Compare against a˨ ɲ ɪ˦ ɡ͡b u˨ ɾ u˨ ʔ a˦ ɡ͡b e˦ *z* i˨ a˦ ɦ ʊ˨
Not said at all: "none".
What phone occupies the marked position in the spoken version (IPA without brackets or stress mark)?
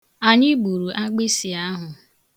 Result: s